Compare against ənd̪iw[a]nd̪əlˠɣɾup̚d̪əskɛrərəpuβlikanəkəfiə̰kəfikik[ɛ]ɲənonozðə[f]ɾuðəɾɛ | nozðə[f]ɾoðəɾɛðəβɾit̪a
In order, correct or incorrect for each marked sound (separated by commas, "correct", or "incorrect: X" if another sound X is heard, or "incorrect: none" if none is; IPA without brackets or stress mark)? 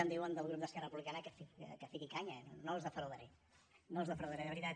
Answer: incorrect: ə, incorrect: a, correct, correct